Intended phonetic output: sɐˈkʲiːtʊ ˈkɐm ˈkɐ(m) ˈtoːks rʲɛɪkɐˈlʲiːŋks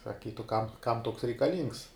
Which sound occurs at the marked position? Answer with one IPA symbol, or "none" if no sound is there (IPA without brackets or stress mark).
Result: m